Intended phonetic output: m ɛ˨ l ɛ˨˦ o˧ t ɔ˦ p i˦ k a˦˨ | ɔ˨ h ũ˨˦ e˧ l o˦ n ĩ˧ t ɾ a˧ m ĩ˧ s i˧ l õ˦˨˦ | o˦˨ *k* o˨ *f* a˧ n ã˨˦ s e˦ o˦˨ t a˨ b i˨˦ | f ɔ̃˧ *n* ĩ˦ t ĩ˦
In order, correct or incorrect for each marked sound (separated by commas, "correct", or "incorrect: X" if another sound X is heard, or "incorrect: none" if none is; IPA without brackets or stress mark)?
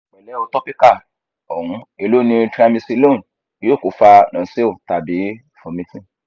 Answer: correct, correct, incorrect: m